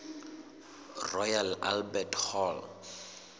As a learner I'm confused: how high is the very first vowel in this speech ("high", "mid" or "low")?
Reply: mid